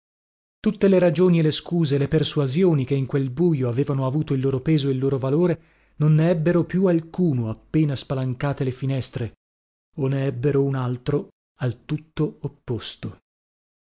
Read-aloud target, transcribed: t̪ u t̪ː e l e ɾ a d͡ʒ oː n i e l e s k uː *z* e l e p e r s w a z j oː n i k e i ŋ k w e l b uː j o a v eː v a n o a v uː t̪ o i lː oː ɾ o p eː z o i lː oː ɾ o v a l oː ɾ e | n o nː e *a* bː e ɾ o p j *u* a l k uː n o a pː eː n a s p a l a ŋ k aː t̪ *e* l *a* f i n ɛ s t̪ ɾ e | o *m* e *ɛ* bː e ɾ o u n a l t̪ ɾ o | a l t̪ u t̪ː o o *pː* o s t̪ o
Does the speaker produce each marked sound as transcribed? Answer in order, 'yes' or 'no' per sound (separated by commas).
yes, no, yes, yes, no, no, yes, yes